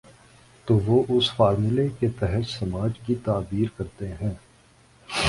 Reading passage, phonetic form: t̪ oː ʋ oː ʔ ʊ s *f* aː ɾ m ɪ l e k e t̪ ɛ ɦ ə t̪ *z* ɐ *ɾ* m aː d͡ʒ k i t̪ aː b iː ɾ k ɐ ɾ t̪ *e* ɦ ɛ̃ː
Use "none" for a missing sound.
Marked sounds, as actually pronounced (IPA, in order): f, s, none, e

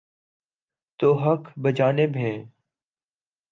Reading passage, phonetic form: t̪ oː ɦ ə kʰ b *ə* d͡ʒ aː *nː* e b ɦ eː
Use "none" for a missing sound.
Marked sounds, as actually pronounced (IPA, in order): ə, n

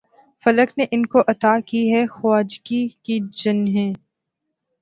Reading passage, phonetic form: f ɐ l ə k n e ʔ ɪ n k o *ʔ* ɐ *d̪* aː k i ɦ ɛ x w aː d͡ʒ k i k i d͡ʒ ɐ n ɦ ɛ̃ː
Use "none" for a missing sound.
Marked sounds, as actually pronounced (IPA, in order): ʔ, t̪

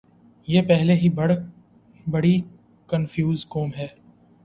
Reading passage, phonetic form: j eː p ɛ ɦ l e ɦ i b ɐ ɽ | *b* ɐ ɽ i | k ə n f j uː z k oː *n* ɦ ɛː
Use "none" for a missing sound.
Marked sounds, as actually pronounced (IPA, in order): b, m

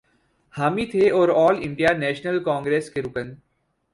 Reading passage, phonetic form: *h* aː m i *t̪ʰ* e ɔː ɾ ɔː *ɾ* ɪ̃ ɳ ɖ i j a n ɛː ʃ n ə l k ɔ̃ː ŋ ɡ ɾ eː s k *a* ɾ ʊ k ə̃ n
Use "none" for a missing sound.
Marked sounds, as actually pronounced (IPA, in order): h, t̪ʰ, l, e

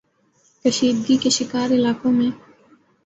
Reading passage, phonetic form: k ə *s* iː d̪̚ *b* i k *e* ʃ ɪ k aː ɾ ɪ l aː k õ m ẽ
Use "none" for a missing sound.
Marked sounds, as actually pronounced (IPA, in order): ʃ, ɡ, e

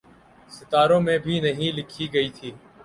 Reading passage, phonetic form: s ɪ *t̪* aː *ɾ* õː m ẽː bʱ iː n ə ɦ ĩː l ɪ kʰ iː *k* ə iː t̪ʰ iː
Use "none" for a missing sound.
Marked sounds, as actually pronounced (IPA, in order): t̪, ɾ, ɡ

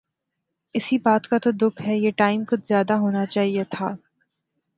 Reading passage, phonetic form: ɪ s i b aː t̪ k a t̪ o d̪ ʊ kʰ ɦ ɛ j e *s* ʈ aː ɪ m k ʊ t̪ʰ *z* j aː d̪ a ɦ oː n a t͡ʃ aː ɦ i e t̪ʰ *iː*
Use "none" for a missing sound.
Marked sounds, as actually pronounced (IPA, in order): none, z, aː

